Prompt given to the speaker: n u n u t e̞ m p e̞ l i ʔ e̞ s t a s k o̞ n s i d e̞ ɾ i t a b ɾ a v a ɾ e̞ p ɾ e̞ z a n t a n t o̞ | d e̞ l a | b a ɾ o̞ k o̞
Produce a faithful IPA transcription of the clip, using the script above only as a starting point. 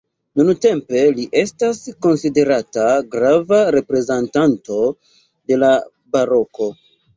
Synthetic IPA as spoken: n u n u t e̞ m p e̞ l i ʔ e̞ s t a s k o̞ n s i d e̞ ɾ a t a ɡ ɾ a v a ɾ e̞ p ɾ e̞ z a n t a n t o̞ | d e̞ l a | b a ɾ o̞ k o̞